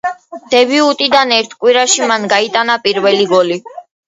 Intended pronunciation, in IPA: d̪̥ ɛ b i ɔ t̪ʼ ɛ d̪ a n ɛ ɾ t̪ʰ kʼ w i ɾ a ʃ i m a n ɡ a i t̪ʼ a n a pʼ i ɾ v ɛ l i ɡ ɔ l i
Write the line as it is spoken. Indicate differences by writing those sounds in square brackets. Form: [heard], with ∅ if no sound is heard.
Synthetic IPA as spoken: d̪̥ ɛ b i [u] t̪ʼ [i] d̪ a n ɛ ɾ t̪ʰ kʼ w i ɾ a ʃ i m a n ɡ a i t̪ʼ a n a pʼ i ɾ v ɛ l i ɡ ɔ l i